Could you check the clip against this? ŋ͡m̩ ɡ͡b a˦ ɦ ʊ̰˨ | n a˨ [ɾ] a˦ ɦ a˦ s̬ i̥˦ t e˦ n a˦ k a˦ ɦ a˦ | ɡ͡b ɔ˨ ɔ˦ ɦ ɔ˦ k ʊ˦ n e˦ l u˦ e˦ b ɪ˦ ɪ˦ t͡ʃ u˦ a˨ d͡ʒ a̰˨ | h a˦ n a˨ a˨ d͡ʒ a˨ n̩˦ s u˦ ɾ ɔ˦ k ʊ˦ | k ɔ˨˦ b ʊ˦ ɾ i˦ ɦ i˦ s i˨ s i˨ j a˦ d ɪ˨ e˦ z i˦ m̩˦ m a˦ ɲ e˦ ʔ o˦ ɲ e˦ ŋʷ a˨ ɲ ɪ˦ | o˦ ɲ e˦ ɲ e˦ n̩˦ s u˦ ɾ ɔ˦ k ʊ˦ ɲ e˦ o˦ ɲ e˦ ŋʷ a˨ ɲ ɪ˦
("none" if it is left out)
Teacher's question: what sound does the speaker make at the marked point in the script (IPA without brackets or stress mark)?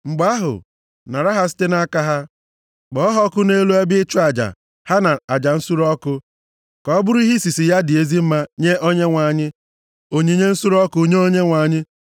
ɾ